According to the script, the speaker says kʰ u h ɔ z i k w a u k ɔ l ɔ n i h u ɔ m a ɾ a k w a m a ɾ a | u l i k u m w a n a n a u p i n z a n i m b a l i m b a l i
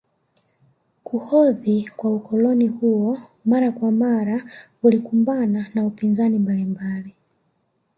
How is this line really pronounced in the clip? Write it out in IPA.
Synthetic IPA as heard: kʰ u h ɔ ð i k w a u k ɔ l ɔ n i h u ɔ m a ɾ a k w a m a ɾ a | u l i k u m b a n a n a u p i n z a n i m b a l i m b a l i